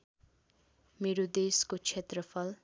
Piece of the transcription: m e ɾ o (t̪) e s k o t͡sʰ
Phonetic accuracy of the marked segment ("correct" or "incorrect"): incorrect